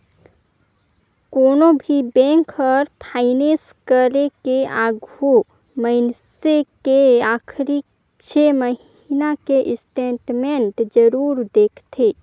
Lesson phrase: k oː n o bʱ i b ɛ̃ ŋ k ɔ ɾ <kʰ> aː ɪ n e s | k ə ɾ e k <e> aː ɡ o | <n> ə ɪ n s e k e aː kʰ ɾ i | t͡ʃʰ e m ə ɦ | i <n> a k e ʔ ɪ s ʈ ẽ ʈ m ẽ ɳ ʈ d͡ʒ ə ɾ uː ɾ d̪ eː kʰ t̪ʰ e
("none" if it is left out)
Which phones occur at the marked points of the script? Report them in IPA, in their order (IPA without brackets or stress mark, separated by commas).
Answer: pʰ, e, m, n